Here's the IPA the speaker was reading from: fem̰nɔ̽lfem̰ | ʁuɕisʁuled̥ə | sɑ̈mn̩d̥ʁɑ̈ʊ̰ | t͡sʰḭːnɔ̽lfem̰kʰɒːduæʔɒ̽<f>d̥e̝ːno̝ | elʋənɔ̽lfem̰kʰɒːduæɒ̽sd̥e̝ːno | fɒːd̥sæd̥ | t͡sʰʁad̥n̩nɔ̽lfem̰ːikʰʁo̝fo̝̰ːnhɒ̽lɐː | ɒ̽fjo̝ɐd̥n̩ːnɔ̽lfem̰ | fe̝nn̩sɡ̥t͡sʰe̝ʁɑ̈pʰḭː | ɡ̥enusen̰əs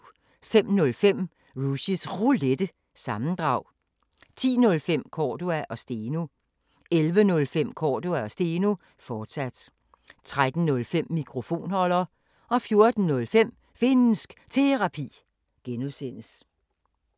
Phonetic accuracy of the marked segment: incorrect: s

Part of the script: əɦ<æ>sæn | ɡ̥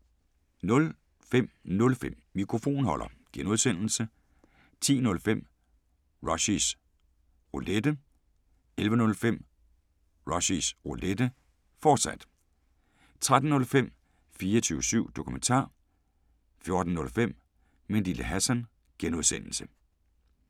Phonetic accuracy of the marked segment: correct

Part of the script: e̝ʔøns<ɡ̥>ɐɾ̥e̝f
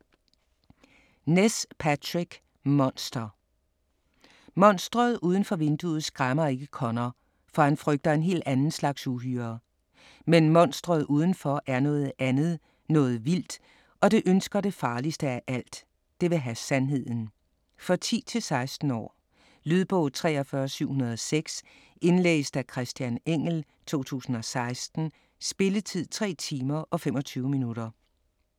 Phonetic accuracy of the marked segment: correct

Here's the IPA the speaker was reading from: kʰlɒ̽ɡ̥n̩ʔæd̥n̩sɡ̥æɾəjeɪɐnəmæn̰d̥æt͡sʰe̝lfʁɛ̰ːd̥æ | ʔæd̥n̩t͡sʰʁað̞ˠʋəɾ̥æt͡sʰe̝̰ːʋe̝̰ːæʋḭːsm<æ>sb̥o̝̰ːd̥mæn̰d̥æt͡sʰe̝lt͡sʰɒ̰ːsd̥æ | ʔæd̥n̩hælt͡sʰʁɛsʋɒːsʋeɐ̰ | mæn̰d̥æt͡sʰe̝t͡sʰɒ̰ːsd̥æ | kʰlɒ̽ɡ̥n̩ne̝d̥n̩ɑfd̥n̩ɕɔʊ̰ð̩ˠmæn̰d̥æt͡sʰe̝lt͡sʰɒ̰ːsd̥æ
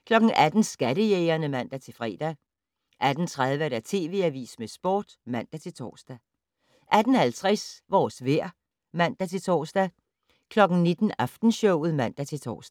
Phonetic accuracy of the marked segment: incorrect: e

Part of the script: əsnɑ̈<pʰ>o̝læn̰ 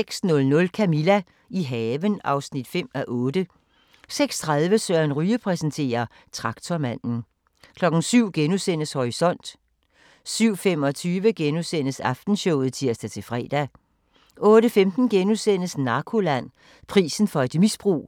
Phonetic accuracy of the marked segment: incorrect: kʰ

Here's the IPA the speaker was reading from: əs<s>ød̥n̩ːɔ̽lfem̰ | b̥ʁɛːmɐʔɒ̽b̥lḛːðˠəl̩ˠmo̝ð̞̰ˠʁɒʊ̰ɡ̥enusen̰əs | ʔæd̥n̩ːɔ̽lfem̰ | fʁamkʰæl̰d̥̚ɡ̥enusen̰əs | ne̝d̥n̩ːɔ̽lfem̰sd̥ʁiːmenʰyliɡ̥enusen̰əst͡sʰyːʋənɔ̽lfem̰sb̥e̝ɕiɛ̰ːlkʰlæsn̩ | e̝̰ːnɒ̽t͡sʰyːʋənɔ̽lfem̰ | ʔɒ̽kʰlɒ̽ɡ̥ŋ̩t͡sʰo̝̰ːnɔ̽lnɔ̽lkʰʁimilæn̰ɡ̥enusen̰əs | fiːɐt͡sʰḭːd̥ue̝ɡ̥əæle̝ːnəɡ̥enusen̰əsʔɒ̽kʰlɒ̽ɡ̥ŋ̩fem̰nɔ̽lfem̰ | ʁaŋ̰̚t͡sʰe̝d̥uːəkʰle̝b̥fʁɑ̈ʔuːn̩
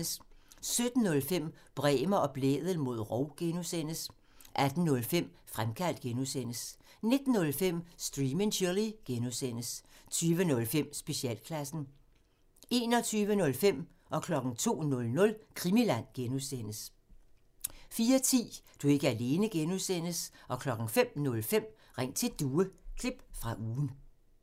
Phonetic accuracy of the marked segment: correct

